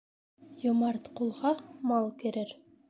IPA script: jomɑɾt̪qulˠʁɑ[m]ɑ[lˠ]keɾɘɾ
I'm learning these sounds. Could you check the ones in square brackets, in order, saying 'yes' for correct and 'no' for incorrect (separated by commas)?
yes, yes